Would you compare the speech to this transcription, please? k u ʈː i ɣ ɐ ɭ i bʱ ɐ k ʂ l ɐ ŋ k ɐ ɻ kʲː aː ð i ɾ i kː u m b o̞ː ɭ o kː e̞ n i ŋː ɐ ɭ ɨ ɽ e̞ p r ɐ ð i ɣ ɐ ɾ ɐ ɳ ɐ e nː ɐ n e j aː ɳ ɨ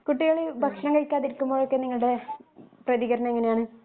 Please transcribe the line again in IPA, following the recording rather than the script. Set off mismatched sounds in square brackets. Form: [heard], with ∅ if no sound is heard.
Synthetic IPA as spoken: k u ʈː i ɣ ɐ ɭ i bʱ ɐ k ʂ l ɐ ŋ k ɐ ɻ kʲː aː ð i ɾ i kː u m b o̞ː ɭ o kː e̞ n i ŋː ɐ ɭ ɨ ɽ e̞ p r ɐ ð i ɣ ɐ ɾ ɐ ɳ ɐ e [ŋː] ɐ n e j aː ɳ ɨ